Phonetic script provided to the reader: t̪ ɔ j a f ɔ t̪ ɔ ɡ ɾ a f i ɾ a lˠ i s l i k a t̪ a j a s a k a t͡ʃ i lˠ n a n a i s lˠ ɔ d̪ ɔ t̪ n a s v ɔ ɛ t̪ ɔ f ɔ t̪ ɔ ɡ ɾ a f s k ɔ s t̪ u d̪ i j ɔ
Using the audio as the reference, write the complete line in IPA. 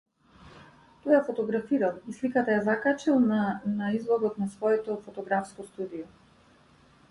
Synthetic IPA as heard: t̪ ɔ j a f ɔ t̪ ɔ ɡ ɾ a f i ɾ a lˠ i s l i k a t̪ a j a z a k a t͡ʃ i lˠ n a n a i z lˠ ɔ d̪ ɔ t̪ n a s v ɔ ɛ t̪ ɔ f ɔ t̪ ɔ ɡ ɾ a f s k ɔ s t̪ u d̪ i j ɔ